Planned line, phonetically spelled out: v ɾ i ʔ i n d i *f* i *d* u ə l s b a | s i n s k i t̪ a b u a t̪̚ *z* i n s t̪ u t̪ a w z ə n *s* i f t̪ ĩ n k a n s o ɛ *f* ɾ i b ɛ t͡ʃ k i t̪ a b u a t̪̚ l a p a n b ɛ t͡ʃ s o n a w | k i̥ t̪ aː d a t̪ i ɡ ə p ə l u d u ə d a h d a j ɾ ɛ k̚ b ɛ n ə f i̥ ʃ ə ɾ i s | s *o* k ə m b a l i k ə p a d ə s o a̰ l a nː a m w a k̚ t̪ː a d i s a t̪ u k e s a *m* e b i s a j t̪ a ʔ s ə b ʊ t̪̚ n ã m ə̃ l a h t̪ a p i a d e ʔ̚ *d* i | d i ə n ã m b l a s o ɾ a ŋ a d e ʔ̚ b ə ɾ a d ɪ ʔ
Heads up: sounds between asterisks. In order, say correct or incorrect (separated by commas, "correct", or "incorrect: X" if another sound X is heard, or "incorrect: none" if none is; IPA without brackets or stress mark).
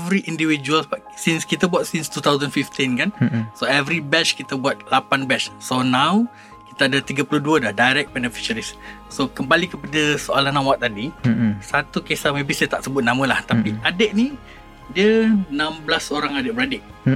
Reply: incorrect: v, incorrect: d͡ʒ, incorrect: s, incorrect: f, incorrect: v, correct, correct, incorrect: n